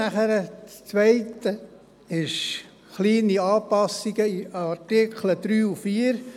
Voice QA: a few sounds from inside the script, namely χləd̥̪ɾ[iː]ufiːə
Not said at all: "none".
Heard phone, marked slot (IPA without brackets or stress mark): yː